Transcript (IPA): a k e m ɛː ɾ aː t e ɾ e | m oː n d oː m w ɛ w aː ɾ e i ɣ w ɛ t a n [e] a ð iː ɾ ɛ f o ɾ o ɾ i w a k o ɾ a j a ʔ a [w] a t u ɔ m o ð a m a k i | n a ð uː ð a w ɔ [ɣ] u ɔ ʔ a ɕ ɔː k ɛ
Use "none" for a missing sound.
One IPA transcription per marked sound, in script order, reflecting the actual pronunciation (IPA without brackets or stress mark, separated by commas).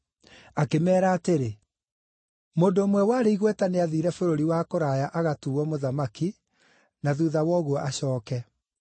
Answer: e, ɣ, ɣ